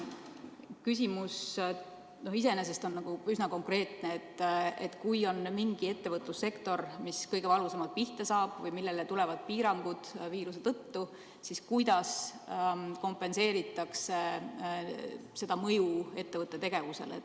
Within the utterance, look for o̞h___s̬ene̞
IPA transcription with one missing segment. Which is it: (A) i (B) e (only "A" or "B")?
A